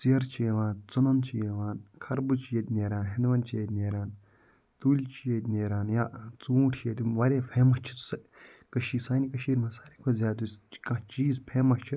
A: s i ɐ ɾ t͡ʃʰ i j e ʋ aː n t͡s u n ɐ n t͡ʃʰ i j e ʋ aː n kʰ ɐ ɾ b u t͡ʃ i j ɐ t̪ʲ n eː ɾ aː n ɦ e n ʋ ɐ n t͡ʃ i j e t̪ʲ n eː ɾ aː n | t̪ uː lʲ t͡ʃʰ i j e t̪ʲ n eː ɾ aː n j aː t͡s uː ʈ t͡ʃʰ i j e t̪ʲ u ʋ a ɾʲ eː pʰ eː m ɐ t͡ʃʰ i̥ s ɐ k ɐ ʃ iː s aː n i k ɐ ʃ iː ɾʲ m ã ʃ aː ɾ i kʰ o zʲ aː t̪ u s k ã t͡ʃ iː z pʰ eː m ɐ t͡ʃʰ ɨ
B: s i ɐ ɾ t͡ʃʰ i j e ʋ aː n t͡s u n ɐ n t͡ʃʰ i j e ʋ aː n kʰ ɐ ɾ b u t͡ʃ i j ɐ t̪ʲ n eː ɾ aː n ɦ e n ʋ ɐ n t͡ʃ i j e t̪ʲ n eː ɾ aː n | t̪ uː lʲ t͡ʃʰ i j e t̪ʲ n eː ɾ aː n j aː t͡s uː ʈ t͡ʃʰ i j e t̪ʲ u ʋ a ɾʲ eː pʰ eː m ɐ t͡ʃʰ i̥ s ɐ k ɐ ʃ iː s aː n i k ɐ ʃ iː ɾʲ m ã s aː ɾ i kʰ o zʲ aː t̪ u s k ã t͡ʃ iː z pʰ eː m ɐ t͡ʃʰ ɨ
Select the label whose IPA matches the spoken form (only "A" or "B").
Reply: B